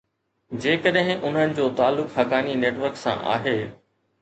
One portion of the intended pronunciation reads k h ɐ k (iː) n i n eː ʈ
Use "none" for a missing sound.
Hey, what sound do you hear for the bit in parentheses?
aː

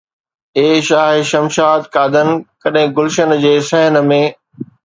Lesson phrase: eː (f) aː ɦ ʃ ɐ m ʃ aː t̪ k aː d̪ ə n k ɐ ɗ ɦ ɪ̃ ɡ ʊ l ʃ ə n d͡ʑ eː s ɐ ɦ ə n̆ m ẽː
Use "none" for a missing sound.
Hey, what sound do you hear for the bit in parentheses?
ʃ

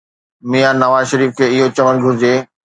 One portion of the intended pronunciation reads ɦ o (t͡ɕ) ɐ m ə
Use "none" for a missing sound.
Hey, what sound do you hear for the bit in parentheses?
t͡ɕ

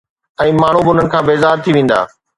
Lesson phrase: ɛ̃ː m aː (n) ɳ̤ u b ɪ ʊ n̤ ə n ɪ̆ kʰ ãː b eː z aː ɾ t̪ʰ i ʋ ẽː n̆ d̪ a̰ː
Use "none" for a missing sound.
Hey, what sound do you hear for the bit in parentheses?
none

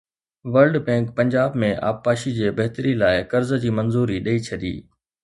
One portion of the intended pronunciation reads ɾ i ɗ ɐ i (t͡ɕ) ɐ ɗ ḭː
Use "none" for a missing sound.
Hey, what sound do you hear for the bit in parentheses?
t͡ɕʰ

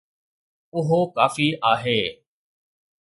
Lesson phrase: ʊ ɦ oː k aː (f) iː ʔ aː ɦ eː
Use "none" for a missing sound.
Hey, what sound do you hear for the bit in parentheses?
f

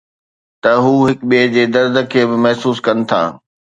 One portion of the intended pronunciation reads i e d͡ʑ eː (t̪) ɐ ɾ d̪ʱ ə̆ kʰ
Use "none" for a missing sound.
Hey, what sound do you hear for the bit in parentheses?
d̪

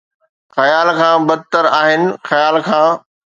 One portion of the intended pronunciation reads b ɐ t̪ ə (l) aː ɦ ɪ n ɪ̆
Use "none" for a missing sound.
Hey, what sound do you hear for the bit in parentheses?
ɾ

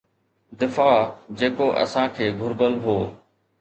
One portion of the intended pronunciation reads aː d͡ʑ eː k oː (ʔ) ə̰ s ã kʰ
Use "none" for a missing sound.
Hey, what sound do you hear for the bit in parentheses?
ʔ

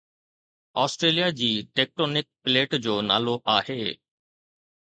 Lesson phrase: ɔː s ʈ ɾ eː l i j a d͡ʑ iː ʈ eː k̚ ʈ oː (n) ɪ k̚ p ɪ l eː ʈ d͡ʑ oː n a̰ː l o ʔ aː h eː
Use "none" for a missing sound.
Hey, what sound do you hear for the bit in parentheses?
n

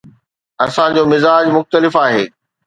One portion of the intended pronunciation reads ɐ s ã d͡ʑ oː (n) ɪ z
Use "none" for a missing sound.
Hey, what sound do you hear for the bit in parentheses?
m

